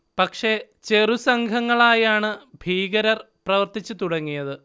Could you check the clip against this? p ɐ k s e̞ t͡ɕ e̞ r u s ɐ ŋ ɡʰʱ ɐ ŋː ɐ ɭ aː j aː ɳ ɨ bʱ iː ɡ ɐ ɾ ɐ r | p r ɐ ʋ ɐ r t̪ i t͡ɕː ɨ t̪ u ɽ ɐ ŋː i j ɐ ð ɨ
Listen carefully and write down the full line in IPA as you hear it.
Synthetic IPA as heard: p ɐ k ʂ e̞ t͡ɕ e̞ r u s ɐ ŋ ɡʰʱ ɐ ŋː ɐ ɭ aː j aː ɳ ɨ bʱ iː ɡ ɐ ɾ ɐ r | p r ɐ ʋ ɐ r t̪ i t͡ɕː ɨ t̪ u ɽ ɐ ŋː i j ɐ ð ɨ

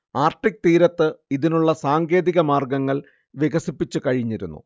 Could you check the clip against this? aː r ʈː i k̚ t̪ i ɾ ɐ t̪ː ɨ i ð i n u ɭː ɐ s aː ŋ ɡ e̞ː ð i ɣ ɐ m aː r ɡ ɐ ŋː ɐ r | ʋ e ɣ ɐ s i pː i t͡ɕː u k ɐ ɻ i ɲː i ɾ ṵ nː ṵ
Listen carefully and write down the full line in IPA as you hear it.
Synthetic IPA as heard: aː r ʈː i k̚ t̪ iː ɾ ɐ t̪ː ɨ i ð i n u ɭː ɐ s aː ŋ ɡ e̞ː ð i ɣ ɐ m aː r ɡ ɐ ŋː ɐ ɭ | ʋ e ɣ ɐ s i pː i t͡ɕː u k ɐ ɻ i ɲː i ɾ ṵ nː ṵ

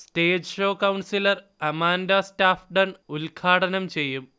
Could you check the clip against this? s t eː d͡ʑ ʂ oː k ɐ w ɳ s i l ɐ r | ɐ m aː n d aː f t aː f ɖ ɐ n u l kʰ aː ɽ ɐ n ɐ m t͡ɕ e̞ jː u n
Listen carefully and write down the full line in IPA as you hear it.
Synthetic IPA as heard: s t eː d͡ʑ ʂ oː k ɐ w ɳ s i l ɐ r | ɐ m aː n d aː s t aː f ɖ ɐ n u l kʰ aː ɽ ɐ n ɐ m t͡ɕ e̞ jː u m

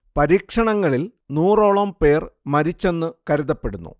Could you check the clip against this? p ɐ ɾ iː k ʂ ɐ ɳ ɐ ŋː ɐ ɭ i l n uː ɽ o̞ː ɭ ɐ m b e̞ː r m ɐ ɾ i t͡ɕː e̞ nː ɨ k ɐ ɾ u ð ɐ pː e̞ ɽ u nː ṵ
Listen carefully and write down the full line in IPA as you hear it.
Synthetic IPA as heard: p ɐ ɾ iː k ʂ ɐ ɳ ɐ ŋː ɐ ɭ i l n uː r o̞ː ɭ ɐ m p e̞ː r m ɐ ɾ i t͡ɕː e̞ nː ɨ k ɐ ɾ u ð ɐ pː e̞ ɽ u nː ṵ

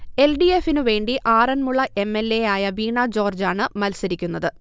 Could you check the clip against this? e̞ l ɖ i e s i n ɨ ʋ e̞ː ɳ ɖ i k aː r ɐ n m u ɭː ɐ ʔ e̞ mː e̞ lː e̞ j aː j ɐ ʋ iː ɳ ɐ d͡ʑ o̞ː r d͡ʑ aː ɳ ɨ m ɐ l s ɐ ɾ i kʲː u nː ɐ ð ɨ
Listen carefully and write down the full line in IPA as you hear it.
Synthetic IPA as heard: e̞ l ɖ i e f i n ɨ ʋ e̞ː ɳ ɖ i ʔ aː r ɐ n m u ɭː ɐ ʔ e̞ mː e̞ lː e̞ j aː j ɐ ʋ iː ɳ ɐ d͡ʑ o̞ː r d͡ʑ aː ɳ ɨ m ɐ l s ɐ ɾ i kʲː u nː ɐ ð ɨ

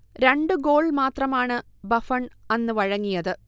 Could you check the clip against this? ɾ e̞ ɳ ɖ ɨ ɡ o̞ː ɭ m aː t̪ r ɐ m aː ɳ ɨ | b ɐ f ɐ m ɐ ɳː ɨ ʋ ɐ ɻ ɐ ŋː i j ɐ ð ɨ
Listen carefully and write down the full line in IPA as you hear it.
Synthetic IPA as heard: ɾ e̞ ɳ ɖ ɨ ɡ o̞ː ɭ m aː t̪ r ɐ m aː ɳ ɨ | b ɐ f ɐ ɳ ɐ nː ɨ ʋ ɐ ɻ ɐ ŋː i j ɐ ð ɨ

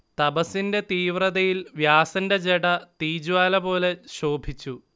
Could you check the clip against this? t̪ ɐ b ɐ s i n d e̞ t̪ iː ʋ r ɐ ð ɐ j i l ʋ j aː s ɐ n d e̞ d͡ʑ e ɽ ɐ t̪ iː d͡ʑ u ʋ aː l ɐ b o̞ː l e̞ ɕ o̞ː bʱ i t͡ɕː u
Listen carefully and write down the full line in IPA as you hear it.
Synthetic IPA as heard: t̪ ɐ b ɐ s i n d e̞ t̪ iː ʋ r ɐ ð ɐ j i l ʋ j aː s ɐ n d e̞ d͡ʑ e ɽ ɐ t̪ iː d͡ʑ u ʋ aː l ɐ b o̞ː l e̞ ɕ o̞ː bʱ i t͡ɕː u

